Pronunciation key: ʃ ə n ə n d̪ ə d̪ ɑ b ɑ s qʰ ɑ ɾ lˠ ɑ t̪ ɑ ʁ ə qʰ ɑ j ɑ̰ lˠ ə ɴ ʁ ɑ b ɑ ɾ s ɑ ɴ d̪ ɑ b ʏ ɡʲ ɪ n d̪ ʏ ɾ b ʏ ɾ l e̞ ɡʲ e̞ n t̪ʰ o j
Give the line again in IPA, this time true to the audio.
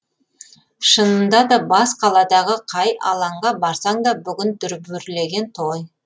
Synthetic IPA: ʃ ə n ə n d̪ ɑ d̪ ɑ b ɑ s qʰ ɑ lˠ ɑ d̪ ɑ ʁ ə qʰ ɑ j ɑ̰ lˠ ɑ ɴ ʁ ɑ b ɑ ɾ s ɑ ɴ d̪ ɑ b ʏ ɡʲ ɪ n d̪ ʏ ɾ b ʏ ɾ l e̞ ɡʲ e̞ n t̪ʰ o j

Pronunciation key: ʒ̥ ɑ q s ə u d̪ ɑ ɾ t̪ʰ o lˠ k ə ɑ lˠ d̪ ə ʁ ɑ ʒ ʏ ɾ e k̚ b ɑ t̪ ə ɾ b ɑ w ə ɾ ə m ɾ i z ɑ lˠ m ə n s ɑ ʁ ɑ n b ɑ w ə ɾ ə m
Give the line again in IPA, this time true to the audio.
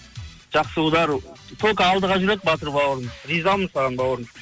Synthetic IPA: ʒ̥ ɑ q s ə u d̪ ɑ ɾ t̪ʰ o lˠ k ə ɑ lˠ d̪ ə ʁ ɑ ʒ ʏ ɾ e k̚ b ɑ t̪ ə ɾ b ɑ w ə ɾ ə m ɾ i z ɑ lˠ m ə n s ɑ ʁ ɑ n b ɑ w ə ɾ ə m

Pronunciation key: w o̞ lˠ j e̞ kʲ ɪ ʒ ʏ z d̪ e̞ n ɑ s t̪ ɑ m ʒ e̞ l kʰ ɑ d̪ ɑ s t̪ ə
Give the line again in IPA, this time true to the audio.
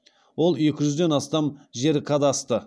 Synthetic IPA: w o̞ lˠ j e̞ kʲ ɪ ʒ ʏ z d̪ e̞ n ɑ s t̪ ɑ m ʒ e̞ ɾ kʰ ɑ d̪ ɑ s t̪ ə

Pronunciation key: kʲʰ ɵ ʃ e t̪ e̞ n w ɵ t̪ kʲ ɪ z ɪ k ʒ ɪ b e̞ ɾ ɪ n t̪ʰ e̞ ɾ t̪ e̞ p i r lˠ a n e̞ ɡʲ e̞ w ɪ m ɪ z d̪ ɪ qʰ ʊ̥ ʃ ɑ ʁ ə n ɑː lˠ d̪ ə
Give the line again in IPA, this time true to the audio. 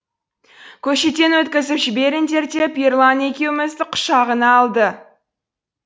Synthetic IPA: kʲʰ ɵ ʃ e t̪ e̞ n w ɵ t̪ kʲ ɪ z ɪ p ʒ ɪ b e̞ ɾ ɪ n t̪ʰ e̞ ɾ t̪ e̞ p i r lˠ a n e̞ kʲ e̞ w ɪ m ɪ z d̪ ɪ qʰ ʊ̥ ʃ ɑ ʁ ə n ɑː lˠ d̪ ə

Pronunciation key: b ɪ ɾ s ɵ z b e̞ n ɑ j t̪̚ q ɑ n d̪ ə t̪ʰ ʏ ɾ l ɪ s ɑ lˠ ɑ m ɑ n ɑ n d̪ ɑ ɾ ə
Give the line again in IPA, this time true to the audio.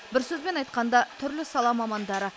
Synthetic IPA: b ɪ ɾ s ɵ z b e̞ n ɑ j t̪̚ q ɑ n d̪ ɑ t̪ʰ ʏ ɾ l ɪ s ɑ lˠ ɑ m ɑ m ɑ n d̪ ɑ ɾ ə

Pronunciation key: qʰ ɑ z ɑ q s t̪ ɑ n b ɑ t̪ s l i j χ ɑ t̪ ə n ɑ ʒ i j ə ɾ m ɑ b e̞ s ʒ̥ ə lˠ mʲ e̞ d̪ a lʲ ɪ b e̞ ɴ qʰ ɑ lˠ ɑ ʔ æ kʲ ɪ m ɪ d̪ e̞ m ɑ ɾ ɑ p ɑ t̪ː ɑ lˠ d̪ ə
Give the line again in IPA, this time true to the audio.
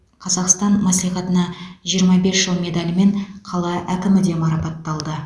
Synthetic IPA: qʰ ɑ z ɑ q s t̪ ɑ n m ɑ s l i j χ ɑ t̪ ə n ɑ ʒ i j ə ɾ m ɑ b e̞ s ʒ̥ ə lˠ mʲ e̞ d̪ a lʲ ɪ m e̞ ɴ qʰ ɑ lˠ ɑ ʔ æ kʲ ɪ m ɪ d̪ e̞ m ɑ ɾ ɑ p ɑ t̪ː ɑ lˠ d̪ ə

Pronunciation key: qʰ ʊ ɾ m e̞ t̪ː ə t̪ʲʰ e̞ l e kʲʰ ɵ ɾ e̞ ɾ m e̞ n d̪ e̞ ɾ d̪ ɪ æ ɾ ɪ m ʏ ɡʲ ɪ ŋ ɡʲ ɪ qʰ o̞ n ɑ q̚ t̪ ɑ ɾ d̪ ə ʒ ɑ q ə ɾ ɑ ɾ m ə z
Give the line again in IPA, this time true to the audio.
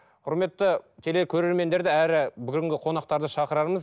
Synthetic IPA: qʰ ʊ ɾ m e̞ t̪ː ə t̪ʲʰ e̞ l e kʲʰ ɵ ɾ e̞ ɾ m e̞ n d̪ e̞ ɾ d̪ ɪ æ ɾ ɪ b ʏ ɡʲ ɪ ŋ ɡʲ ɪ qʰ o̞ n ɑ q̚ t̪ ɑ ɾ d̪ ə ʃ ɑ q ə ɾ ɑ ɾ m ə z

